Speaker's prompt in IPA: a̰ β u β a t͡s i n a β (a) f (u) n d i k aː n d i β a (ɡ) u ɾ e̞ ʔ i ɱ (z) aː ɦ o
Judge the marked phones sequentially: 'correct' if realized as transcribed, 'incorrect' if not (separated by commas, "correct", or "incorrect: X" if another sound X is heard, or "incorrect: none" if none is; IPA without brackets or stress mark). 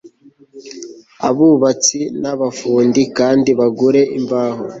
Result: correct, incorrect: uː, correct, incorrect: v